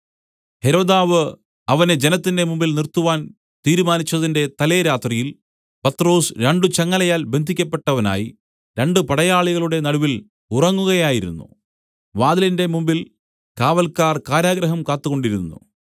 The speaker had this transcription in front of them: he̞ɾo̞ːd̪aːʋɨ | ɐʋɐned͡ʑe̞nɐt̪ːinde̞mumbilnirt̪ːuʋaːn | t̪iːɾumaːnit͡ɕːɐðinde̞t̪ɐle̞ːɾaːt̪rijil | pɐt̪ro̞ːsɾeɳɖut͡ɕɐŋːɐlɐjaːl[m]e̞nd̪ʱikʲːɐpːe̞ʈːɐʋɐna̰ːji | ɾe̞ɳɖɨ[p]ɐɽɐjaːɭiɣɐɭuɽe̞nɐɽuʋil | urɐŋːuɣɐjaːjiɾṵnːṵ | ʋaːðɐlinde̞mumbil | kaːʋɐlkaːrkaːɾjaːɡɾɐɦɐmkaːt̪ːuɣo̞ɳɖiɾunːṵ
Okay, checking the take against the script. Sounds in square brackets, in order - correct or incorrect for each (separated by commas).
incorrect, correct